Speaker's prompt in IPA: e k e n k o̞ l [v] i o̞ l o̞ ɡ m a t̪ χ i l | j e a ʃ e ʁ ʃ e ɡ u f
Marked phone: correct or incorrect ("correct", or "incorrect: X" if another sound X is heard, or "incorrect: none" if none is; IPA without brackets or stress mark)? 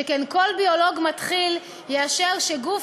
incorrect: b